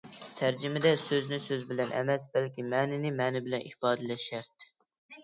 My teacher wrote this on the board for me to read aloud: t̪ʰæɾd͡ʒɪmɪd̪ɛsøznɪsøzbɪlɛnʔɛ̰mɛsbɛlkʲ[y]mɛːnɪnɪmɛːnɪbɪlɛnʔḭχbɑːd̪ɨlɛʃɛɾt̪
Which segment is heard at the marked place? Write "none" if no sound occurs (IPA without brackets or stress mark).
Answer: i